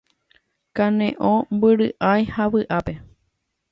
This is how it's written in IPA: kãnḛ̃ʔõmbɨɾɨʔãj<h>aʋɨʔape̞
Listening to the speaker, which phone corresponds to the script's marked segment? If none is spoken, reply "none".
h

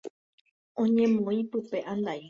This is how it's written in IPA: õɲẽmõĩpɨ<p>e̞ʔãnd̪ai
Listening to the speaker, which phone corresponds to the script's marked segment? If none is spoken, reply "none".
p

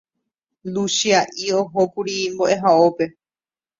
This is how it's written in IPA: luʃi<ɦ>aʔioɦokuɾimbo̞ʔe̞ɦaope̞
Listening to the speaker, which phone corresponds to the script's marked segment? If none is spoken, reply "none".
none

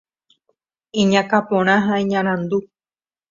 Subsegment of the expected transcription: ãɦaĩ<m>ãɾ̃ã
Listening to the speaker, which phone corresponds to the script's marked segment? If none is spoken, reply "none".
ɲ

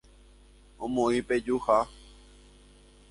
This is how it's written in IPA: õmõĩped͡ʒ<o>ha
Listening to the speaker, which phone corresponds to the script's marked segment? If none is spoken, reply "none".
u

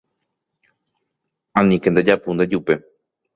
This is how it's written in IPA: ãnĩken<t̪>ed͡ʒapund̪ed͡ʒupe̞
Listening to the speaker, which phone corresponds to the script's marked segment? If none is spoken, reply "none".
d̪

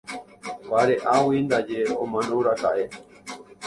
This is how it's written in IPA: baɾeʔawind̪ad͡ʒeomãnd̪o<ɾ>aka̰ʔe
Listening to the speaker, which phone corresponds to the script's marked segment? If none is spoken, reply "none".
ɾ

